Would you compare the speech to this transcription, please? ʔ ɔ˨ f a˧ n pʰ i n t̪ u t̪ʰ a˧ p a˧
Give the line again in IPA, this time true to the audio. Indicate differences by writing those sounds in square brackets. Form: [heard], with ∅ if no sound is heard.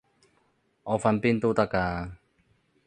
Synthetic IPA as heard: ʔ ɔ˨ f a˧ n [p] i n t̪ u [t̪] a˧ [k] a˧